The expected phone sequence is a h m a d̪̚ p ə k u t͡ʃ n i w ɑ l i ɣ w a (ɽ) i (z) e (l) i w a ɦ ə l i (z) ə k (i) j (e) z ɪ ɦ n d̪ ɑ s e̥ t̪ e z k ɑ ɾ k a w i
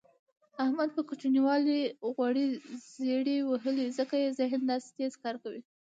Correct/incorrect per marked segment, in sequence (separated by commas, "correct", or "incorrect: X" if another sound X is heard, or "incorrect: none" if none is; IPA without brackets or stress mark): correct, correct, incorrect: ɽ, correct, incorrect: a, correct